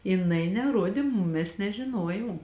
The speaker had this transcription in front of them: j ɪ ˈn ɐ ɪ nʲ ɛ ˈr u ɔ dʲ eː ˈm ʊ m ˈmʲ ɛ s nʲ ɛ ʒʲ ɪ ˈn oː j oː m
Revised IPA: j ɪ ˈn ɐ ɪ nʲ ɛ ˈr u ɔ dʲ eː ˈm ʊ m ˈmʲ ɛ s nʲ ɛ ʒʲ ɪ ˈn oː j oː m

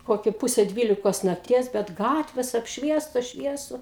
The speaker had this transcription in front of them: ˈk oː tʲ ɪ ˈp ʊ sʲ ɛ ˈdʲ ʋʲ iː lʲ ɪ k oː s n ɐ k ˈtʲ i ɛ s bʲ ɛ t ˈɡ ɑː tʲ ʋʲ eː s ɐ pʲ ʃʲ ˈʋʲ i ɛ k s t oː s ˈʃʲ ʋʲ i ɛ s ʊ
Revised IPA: ˈk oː kʲ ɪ ˈp ʊ sʲ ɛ ˈdʲ ʋʲ iː lʲ ɪ k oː s n ɐ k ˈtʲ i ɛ s bʲ ɛ t ˈɡ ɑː tʲ ʋʲ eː s ɐ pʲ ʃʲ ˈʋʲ i ɛ s t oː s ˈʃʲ ʋʲ i ɛ s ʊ

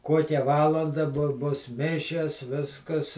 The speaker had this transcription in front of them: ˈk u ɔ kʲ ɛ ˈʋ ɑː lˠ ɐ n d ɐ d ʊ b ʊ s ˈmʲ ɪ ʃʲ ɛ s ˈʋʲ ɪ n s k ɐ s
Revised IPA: ˈk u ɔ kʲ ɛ ˈʋ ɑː lˠ ɐ n d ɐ b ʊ b ʊ s ˈmʲ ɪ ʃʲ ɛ s ˈʋʲ ɪ s k ɐ s

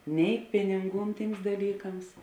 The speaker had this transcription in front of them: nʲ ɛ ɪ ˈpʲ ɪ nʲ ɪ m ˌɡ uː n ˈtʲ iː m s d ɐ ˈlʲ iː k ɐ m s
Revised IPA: nʲ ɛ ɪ ˈpʲ ɪ nʲ ɪ ŋ ˌɡ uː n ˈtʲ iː m s d ɐ ˈlʲ iː k ɐ m s

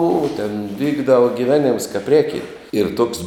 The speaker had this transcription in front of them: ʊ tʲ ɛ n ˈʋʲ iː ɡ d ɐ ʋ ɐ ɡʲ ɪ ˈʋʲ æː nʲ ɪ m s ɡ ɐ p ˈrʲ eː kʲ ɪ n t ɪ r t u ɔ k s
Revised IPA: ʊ tʲ ɛ n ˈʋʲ iː ɡ d ɐ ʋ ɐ ɡʲ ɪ ˈʋʲ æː nʲ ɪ m s k ɐ p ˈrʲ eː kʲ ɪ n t ɪ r t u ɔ k s

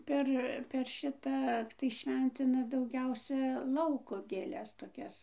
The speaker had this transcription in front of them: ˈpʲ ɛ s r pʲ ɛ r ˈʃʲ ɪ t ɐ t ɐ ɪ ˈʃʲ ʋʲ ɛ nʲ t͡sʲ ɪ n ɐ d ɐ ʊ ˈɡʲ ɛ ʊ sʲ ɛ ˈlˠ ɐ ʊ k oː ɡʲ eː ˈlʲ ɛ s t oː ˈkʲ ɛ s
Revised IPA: ˈpʲ ɛ r pʲ ɛ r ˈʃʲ ɪ t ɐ t ɐ ɪ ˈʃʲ ʋʲ ɛ nʲ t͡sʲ ɪ n ɐ d ɐ ʊ ˈɡʲ ɛ ʊ sʲ ɛ ˈlˠ ɐ ʊ k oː ɡʲ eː ˈlʲ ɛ s t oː ˈkʲ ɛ s

